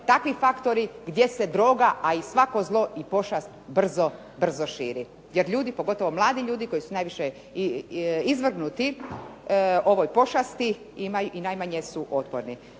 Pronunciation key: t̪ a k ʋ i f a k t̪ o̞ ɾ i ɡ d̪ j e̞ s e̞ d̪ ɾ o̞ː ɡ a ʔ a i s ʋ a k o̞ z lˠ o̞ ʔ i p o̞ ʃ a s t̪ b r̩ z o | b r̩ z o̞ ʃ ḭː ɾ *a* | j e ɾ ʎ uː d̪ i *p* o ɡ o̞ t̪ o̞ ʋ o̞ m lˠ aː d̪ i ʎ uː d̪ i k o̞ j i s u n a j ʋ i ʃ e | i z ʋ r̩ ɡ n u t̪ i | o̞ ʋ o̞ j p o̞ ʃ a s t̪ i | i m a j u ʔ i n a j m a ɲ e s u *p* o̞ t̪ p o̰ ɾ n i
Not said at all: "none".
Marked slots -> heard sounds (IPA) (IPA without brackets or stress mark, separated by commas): i, p, ʔ